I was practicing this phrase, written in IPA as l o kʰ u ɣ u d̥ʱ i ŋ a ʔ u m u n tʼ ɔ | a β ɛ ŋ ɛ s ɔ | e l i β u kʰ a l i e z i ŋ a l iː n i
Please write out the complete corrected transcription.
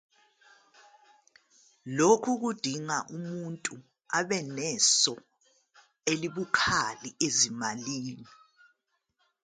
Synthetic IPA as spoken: l o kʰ u ɣ u d̥ʱ i ŋ a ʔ u m u n tʼ u | a β ɛ n ɛ s ɔ | e l i β u kʰ a l i e z i m a l iː n i